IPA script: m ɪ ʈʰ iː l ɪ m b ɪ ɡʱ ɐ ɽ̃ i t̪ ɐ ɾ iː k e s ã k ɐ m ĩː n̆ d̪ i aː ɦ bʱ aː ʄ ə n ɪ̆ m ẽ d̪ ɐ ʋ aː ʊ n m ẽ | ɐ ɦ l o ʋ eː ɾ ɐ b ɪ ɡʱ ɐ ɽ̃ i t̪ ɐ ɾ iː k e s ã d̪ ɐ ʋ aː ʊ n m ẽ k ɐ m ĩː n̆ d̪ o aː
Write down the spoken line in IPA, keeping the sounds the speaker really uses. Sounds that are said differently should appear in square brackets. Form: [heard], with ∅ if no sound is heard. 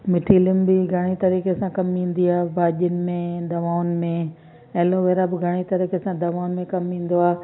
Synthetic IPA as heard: m ɪ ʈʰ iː l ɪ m b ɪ ɡʱ ɐ ɽ̃ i t̪ ɐ ɾ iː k e s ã k ɐ m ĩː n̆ d̪ i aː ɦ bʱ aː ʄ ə n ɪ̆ m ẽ d̪ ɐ ʋ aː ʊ n m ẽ | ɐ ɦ l o ʋ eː ɾ [a] b ɪ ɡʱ ɐ ɽ̃ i t̪ ɐ ɾ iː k e s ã d̪ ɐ ʋ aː ʊ n m ẽ k ɐ m ĩː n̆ d̪ o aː